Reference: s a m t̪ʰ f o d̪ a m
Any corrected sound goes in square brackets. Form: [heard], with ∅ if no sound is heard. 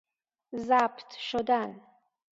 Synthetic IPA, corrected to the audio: [z] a [b] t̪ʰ [ʃ] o d̪ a [n]